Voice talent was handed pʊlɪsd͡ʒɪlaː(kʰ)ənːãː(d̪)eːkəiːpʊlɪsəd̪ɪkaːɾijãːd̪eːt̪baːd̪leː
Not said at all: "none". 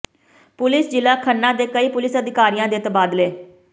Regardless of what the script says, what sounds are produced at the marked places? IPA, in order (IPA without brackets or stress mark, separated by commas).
kʰ, d̪